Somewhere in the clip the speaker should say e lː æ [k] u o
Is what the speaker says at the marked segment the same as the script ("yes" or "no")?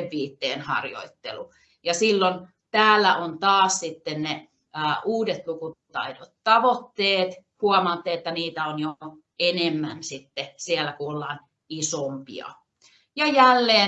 yes